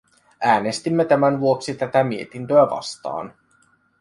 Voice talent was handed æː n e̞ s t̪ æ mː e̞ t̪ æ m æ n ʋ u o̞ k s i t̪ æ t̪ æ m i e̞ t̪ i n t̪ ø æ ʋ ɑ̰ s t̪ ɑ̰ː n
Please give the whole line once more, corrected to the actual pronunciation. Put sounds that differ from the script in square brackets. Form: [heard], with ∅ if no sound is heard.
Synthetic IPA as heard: æː n e̞ s t̪ [i] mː e̞ t̪ æ m æ n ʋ u o̞ k s i t̪ æ t̪ æ m i e̞ t̪ i n t̪ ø æ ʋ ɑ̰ s t̪ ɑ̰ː n